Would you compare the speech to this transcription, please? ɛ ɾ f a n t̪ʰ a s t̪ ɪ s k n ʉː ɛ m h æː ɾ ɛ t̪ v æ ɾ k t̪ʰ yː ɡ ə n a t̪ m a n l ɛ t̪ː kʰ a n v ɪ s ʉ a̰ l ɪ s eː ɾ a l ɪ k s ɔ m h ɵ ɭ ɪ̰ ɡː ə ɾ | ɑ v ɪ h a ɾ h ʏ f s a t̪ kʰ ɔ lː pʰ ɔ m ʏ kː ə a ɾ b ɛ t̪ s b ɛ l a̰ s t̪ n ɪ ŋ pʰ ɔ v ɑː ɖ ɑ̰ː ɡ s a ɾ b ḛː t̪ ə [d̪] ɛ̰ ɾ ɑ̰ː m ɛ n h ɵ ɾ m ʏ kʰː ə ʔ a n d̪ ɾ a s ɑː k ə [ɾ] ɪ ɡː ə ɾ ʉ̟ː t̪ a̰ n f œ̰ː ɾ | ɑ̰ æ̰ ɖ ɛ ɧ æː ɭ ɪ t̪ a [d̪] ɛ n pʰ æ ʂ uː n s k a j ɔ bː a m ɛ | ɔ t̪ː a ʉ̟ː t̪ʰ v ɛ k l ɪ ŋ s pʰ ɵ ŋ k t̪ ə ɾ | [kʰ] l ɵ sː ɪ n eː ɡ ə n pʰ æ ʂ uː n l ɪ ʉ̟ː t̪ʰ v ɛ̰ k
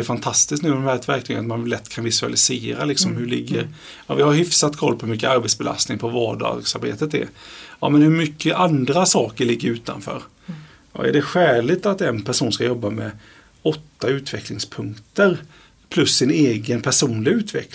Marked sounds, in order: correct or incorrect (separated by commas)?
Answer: incorrect, incorrect, incorrect, incorrect